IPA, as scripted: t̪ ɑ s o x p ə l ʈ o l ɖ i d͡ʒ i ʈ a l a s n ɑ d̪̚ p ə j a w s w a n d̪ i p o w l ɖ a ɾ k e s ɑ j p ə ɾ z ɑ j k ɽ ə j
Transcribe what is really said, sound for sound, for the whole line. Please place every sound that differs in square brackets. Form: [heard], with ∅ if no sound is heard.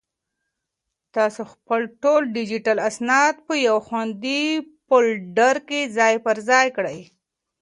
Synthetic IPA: t̪ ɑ s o x p ə l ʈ o l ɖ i d͡ʒ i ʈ a l a s n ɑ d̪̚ p ə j a w [x] w a n d̪ i p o [∅] l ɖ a ɾ k e [z] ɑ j p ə ɾ z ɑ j k ɽ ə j